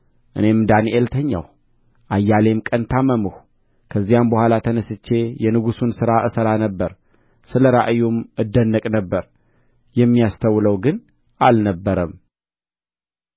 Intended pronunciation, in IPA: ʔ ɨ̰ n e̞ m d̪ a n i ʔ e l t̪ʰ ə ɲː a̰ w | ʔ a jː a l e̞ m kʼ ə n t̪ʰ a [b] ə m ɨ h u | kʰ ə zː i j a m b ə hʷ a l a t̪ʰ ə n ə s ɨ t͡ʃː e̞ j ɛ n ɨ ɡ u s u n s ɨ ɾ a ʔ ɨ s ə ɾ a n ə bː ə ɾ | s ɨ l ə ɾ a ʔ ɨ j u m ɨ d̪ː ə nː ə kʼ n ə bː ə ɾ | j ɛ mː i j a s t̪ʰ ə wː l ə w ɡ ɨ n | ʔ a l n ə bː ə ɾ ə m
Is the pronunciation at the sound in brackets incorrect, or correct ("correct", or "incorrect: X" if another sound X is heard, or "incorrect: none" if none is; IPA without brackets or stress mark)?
incorrect: m